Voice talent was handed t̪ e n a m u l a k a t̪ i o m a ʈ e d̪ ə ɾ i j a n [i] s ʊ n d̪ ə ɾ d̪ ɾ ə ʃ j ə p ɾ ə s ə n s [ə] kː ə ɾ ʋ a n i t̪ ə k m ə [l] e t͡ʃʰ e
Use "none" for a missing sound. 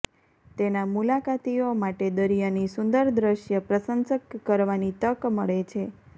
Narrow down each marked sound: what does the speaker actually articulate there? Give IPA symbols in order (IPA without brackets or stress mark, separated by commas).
i, ə, ɭ